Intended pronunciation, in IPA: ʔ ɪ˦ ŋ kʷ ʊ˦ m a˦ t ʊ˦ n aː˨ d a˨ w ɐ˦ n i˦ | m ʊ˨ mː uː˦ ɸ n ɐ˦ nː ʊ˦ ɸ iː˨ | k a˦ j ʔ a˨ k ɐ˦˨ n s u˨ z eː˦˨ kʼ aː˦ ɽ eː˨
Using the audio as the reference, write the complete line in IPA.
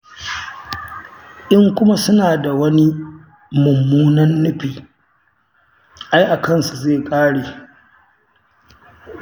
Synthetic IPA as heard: ʔ ɪ˦ ŋ kʷ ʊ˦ m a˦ s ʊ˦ n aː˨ d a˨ w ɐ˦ n i˦ | m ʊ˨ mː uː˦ n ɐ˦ nː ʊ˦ ɸ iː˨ | ʔ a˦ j ʔ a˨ k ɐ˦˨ n s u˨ z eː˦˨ kʼ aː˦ ɽ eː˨